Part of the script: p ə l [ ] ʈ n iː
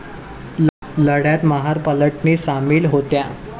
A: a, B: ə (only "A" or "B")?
B